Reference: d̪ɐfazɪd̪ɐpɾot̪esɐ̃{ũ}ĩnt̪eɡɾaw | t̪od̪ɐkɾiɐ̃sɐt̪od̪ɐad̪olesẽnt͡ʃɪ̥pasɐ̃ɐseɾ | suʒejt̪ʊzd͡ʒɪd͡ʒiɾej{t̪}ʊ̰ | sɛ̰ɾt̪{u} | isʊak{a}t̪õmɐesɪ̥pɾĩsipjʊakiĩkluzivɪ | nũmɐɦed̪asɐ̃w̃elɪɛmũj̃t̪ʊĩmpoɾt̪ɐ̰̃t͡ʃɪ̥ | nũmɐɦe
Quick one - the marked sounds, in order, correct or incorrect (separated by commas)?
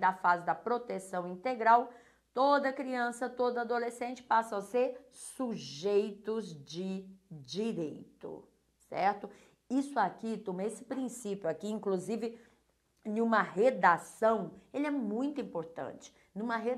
incorrect, correct, incorrect, incorrect